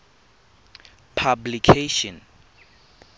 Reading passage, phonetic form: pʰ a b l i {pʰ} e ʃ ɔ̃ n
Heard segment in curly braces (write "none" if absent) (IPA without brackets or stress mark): kʰ